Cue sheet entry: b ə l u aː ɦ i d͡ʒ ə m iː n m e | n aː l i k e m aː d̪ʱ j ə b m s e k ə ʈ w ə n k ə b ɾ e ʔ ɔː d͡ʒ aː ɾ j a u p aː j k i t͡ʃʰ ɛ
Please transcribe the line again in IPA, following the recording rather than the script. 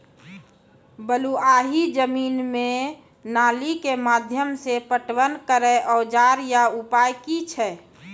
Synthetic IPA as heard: b ə l u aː ɦ i d͡ʒ ə m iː n m e | n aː l i k e m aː d̪ʱ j ə m s e p ə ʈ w ə n k ə ɾ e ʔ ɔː d͡ʒ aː ɾ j a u p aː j k i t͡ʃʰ ɛ